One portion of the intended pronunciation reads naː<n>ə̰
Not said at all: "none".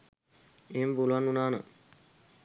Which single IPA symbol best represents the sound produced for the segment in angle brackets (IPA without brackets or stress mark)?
n